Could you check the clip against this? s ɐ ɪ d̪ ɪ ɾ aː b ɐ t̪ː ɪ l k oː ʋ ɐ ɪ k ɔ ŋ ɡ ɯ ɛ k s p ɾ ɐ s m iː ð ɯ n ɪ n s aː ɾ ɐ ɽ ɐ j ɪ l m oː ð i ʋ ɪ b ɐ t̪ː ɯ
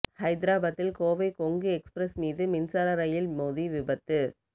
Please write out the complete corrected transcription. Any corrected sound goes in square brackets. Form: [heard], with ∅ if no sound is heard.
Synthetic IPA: [h] ɐ ɪ d̪ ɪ ɾ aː b ɐ t̪ː ɪ l k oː ʋ ɐ ɪ k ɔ ŋ ɡ ɯ ɛ k s p ɾ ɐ s m iː ð ɯ [m] ɪ n s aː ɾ ɐ [ɾ] ɐ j ɪ l m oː ð i ʋ ɪ b ɐ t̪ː ɯ